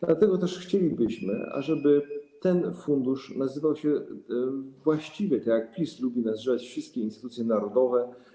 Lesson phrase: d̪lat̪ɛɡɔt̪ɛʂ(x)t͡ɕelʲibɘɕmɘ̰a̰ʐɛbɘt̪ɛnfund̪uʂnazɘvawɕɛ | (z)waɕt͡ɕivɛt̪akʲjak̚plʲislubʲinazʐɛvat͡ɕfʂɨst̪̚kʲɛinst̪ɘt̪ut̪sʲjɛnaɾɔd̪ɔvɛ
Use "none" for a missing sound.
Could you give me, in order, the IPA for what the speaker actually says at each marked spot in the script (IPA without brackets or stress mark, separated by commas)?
x, v